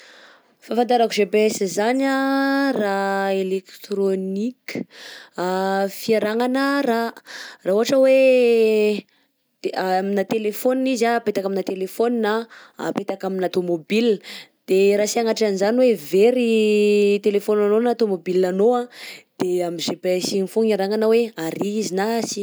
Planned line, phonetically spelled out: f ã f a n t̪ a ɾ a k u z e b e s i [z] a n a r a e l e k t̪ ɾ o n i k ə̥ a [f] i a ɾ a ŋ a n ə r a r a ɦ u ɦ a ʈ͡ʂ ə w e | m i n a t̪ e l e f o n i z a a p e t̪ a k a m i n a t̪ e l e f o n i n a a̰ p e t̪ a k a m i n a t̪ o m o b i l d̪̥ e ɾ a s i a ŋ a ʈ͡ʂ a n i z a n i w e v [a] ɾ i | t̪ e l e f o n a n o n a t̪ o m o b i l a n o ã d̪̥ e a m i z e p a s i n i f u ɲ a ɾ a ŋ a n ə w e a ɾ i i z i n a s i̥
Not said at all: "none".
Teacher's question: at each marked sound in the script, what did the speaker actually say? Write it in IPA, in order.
z, f, e

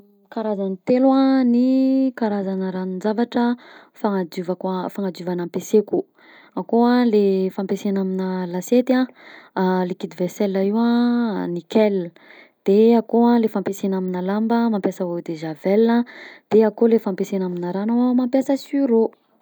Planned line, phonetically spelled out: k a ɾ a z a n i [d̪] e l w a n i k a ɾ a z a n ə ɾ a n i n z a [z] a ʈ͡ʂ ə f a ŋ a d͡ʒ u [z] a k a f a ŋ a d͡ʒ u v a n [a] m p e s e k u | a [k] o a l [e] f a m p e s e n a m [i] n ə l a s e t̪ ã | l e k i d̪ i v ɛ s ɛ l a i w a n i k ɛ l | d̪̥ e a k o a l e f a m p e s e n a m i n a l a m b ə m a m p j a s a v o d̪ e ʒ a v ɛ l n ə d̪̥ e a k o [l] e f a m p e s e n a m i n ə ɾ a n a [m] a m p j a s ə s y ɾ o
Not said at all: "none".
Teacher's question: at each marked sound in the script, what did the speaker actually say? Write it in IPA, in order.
t̪, v, v, a, k, e, i, l, m

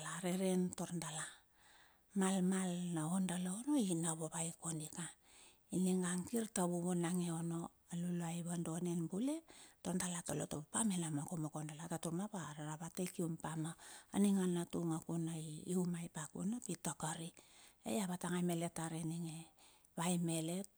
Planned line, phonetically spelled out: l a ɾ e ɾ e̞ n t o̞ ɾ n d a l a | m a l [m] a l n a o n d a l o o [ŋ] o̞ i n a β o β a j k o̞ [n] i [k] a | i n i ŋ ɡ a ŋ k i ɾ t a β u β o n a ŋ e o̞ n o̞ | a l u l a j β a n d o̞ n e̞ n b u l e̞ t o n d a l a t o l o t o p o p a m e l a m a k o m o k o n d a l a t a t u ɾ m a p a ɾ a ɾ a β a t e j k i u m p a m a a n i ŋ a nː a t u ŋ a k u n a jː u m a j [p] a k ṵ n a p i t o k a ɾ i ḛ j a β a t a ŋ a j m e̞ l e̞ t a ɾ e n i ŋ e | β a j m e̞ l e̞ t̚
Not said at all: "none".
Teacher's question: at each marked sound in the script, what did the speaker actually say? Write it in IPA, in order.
m, n, n, k, p

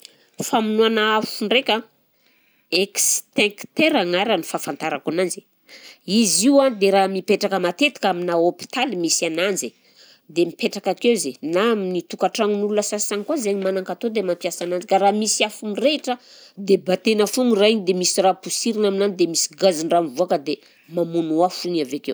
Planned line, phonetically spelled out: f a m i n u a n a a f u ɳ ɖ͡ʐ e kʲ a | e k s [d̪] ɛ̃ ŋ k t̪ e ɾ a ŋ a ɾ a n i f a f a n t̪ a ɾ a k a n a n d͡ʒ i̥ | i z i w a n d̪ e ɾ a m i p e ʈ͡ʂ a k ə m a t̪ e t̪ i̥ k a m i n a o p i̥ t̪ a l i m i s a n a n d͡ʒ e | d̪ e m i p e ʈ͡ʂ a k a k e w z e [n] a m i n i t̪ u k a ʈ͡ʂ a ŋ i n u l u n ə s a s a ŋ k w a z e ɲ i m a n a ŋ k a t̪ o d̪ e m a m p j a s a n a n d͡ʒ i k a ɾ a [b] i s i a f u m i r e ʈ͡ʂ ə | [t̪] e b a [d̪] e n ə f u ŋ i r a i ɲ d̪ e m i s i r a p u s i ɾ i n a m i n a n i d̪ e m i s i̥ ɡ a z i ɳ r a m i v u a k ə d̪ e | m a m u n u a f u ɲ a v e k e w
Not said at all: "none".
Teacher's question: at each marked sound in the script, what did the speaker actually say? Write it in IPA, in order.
t̪, n, m, d̪, t̪

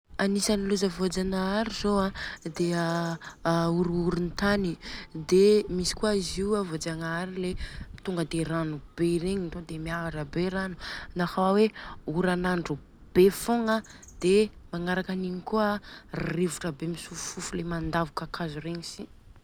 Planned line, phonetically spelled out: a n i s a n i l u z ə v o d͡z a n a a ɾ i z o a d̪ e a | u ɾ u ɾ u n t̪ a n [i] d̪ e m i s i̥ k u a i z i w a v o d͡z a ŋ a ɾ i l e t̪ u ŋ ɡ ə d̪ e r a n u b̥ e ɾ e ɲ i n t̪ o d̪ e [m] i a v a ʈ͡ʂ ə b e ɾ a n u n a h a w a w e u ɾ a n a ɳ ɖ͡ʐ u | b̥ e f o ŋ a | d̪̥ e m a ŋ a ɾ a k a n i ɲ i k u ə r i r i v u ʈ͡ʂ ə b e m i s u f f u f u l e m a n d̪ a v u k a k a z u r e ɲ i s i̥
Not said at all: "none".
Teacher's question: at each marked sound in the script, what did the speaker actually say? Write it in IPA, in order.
i, m

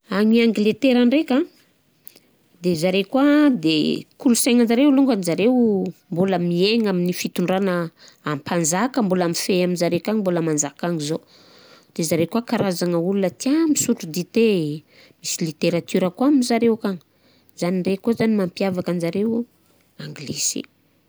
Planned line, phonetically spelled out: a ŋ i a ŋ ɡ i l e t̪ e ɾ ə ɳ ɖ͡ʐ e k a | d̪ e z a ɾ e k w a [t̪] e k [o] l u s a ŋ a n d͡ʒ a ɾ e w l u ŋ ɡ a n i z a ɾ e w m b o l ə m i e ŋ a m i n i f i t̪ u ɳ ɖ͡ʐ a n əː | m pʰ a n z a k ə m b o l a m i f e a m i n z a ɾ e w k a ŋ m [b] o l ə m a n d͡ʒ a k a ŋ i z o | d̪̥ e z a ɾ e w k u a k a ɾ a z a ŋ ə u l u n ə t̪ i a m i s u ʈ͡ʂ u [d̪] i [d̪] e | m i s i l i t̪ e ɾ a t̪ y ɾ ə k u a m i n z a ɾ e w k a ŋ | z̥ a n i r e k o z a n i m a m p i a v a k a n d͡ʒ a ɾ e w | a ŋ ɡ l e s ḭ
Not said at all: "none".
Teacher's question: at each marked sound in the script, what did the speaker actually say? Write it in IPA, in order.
d̪, u, b, d̪, t̪

